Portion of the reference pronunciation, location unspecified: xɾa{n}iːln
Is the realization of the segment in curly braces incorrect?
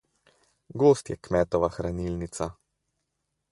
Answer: no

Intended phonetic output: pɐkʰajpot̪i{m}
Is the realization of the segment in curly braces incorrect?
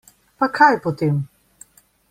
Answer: no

